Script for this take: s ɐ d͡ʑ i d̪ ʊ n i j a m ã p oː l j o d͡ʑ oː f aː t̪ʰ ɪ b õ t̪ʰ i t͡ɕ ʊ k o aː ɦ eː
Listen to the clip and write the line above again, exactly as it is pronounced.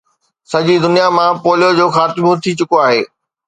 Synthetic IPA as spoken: s ɐ d͡ʑ i d̪ ʊ n i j a m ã p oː l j o d͡ʑ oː x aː t̪ ɪ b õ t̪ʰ i t͡ɕ ʊ k o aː ɦ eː